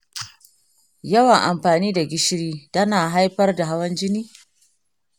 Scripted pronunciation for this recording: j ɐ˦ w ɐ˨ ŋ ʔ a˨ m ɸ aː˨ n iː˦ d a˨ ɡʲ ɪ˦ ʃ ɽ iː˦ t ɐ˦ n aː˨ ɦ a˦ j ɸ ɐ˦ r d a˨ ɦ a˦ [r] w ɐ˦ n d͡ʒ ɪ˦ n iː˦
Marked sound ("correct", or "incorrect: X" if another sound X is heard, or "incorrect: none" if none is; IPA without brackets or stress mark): incorrect: none